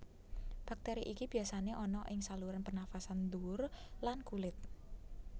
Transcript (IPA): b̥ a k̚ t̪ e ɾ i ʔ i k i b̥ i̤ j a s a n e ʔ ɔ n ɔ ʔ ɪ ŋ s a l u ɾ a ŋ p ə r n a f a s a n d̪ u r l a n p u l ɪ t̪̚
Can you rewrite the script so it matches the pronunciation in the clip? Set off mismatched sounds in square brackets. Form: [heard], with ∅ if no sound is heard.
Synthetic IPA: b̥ a k̚ t̪ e ɾ i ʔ i k i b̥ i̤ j a s a n e ʔ ɔ n ɔ ʔ ɪ ŋ s a l u ɾ a [n] p ə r n a f a s a n d̪ u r l a n [k] u l ɪ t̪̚